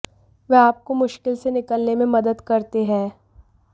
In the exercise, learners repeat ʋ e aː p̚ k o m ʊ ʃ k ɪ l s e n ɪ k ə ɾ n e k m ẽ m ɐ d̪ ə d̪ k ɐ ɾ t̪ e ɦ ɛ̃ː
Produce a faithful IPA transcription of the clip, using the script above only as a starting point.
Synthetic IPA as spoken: ʋ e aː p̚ k o m ʊ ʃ k ɪ l s e n ɪ k ə l n e m ẽ m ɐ d̪ ə d̪ k ɐ ɾ t̪ e ɦ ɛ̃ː